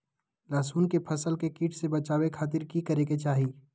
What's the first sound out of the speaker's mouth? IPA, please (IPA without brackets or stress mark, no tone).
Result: l